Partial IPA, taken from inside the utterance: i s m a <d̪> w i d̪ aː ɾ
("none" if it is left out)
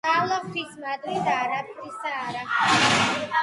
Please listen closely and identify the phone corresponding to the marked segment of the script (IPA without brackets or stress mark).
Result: d̪